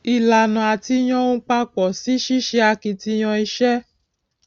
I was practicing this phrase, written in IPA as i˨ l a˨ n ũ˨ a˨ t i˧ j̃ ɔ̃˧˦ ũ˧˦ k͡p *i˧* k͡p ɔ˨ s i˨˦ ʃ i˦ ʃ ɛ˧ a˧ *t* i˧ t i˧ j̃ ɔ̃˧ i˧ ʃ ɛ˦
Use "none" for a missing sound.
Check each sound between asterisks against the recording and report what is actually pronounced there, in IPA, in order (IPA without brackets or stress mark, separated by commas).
a˧, k